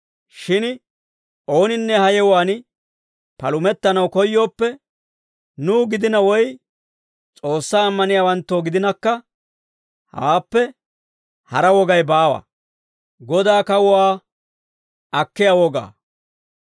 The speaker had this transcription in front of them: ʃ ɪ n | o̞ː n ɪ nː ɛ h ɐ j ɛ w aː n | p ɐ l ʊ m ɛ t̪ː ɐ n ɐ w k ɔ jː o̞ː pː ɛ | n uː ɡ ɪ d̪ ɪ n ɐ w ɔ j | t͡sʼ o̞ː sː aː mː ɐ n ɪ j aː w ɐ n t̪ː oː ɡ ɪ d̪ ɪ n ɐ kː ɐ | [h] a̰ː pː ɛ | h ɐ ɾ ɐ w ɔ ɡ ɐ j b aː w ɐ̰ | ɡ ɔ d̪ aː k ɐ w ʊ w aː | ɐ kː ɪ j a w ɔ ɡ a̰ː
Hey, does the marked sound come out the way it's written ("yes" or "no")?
yes